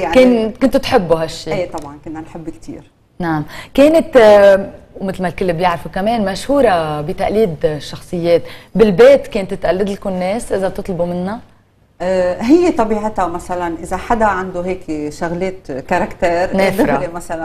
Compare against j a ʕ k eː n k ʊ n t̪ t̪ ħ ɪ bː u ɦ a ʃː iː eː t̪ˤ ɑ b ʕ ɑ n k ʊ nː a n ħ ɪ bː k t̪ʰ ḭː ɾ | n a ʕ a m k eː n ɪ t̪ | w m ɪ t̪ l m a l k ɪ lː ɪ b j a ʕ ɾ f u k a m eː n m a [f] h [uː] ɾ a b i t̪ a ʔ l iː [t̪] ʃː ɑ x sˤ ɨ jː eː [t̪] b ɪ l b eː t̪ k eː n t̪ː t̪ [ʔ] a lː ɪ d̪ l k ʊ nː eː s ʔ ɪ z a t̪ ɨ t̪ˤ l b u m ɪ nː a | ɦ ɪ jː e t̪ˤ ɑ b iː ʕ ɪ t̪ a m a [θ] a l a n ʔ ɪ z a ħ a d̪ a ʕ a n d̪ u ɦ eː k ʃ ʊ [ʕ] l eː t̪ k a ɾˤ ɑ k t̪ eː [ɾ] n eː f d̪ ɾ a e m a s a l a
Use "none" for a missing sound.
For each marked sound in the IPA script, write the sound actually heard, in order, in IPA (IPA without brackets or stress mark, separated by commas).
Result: ʃ, uː, d̪, t̪, ʔ, s, ɣ, ɾ